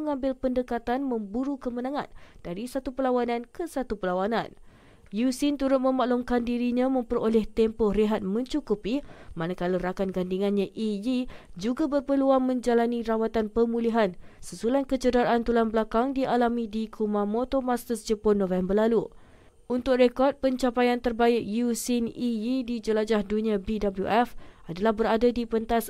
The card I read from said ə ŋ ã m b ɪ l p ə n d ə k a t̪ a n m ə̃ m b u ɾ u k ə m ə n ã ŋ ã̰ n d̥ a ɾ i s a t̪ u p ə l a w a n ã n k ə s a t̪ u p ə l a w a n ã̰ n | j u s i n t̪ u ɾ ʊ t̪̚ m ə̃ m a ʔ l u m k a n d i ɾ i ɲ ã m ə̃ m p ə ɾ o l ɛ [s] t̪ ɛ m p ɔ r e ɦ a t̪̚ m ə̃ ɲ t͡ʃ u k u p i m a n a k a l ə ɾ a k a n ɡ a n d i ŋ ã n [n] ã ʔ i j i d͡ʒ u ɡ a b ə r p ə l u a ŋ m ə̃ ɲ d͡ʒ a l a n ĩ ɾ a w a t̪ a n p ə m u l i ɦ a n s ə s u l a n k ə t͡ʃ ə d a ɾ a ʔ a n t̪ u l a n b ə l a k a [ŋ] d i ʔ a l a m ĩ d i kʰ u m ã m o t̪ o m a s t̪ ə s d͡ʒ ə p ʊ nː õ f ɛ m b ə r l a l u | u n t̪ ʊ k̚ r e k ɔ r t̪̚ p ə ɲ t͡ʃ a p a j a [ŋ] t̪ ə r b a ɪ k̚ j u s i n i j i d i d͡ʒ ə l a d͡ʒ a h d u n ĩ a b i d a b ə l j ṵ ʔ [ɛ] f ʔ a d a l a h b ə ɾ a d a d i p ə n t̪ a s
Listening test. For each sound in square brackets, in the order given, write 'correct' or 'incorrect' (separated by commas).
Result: incorrect, incorrect, correct, incorrect, correct